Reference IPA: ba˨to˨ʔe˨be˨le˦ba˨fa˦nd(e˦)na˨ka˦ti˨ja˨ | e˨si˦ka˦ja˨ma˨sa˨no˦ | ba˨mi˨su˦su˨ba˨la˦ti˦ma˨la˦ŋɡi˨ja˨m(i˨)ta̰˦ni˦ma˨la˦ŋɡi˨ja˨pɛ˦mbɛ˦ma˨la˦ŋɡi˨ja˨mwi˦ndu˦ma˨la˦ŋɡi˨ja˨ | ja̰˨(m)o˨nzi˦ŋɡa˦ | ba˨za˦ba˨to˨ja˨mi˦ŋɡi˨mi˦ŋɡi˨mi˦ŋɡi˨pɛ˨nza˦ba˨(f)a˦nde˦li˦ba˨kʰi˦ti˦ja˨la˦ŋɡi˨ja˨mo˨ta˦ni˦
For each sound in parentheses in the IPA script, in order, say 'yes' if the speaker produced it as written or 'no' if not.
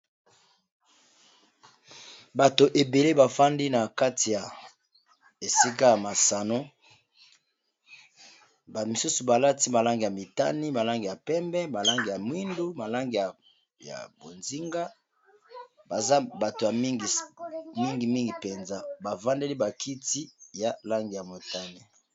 no, yes, no, no

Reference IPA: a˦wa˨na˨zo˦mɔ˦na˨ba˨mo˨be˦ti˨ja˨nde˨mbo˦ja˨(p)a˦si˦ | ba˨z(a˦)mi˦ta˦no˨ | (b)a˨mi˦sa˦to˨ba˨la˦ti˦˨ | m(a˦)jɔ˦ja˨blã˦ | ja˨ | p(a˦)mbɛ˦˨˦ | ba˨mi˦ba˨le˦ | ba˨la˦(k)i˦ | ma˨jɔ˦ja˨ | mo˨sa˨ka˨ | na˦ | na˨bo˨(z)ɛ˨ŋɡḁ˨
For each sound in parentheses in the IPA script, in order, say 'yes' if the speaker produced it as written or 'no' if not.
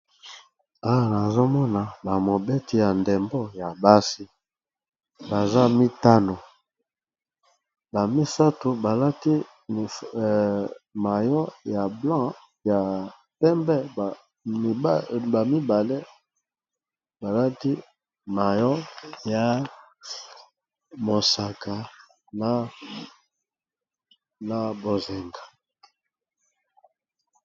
no, yes, yes, no, no, no, yes

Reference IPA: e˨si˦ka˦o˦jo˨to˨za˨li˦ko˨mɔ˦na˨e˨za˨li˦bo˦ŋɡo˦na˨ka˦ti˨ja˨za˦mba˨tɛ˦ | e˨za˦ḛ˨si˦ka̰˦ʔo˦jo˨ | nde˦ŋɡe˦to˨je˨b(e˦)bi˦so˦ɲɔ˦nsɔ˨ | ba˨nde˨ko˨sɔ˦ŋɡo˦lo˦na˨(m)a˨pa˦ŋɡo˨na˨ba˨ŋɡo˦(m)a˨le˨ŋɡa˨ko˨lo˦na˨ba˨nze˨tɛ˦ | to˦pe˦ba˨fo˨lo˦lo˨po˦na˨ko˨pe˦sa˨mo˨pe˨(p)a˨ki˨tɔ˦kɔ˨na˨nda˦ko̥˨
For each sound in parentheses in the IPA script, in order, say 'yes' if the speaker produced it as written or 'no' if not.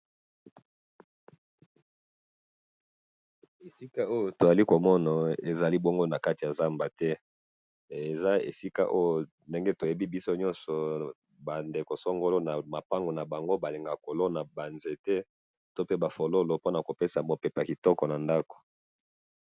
no, yes, no, yes

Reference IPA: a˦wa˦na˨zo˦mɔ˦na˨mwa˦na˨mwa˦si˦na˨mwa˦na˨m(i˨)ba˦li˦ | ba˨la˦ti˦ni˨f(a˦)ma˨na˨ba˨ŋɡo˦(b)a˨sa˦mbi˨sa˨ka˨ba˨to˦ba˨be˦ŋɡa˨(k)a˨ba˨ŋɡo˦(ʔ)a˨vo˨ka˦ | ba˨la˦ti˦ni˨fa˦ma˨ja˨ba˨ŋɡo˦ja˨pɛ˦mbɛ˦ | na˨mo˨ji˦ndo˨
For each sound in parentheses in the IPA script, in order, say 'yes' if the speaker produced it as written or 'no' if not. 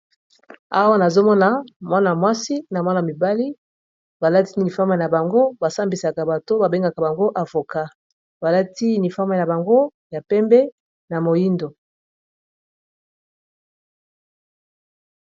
yes, yes, yes, yes, yes

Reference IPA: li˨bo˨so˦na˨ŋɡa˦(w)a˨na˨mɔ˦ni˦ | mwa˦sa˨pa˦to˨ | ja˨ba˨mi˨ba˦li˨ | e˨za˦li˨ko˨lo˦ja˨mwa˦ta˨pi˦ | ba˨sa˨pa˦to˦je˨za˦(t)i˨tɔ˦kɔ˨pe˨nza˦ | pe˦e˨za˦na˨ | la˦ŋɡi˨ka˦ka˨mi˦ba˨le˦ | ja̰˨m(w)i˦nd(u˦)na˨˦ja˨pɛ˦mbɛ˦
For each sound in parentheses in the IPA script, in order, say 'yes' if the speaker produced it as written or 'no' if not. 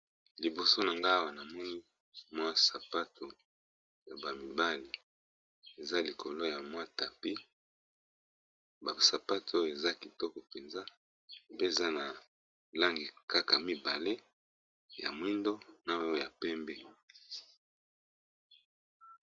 yes, no, yes, no

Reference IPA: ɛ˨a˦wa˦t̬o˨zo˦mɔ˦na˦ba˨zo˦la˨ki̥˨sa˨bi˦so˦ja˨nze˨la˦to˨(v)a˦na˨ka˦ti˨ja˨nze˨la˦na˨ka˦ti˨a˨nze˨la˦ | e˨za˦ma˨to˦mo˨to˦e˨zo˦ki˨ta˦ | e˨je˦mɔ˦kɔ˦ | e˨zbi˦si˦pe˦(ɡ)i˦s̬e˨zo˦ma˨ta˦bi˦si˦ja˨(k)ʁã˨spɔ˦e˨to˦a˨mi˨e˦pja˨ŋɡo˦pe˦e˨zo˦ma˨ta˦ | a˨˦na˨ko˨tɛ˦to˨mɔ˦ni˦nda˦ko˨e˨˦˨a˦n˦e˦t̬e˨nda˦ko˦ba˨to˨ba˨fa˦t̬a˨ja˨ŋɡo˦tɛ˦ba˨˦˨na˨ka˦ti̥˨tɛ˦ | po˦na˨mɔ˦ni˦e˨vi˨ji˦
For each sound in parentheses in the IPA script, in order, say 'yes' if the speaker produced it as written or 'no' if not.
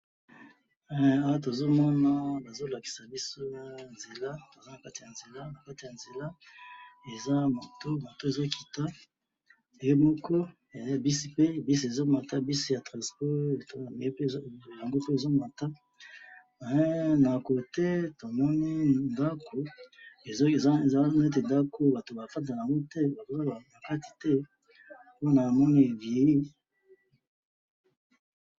no, no, no

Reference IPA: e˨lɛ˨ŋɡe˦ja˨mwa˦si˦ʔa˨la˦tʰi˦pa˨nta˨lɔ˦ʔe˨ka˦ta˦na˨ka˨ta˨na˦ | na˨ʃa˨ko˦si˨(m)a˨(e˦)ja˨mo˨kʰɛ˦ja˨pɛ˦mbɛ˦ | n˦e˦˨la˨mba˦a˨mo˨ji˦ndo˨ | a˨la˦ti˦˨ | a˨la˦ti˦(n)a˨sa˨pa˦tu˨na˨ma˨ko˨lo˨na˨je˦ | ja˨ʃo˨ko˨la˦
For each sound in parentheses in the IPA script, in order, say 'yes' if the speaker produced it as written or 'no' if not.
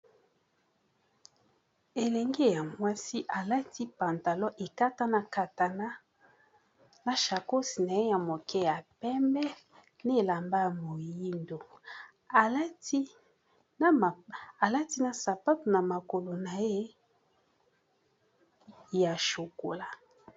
no, yes, yes

